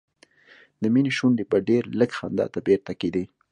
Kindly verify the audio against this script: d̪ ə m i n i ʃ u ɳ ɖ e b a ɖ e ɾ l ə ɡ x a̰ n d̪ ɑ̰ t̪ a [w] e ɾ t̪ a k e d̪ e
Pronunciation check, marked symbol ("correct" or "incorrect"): incorrect